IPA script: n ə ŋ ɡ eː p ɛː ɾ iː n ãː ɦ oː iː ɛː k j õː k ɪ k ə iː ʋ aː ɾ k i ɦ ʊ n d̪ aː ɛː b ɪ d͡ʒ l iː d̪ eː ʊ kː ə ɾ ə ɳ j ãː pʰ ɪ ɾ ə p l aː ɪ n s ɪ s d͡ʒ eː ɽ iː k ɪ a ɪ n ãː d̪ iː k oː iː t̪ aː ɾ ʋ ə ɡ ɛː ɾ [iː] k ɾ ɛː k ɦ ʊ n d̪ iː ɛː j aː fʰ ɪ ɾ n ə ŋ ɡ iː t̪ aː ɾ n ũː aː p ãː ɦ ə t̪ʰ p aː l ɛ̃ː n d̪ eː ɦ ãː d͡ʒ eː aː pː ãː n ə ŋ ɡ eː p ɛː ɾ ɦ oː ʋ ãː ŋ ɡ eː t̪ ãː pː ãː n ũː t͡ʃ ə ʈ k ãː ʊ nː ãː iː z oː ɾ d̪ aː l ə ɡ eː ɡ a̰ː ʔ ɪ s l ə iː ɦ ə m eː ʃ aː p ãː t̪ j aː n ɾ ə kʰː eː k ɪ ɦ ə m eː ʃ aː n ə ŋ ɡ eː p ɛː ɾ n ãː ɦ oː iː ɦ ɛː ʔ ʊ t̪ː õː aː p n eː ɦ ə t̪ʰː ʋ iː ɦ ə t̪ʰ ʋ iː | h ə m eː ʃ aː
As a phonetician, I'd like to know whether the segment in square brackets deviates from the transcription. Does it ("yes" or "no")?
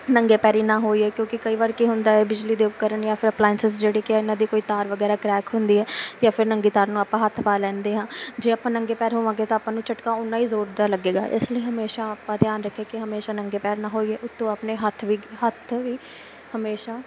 yes